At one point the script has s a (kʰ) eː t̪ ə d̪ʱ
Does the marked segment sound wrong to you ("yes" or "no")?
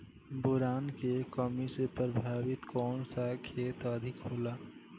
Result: no